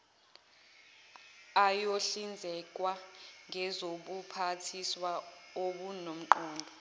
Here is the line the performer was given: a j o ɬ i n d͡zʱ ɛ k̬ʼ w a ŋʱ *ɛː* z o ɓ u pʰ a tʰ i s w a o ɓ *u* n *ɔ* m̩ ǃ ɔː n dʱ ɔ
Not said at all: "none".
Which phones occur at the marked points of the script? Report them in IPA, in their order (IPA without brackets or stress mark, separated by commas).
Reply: ɛ, u, o